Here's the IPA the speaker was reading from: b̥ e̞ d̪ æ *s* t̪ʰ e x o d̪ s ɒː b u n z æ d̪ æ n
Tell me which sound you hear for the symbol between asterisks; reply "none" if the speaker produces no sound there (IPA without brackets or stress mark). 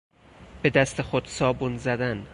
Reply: s